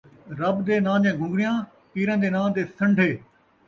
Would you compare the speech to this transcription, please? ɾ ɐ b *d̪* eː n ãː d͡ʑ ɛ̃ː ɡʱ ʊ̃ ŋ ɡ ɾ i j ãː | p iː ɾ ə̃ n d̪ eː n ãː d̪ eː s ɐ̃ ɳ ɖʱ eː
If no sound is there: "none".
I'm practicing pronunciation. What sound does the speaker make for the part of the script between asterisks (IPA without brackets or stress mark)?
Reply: d̪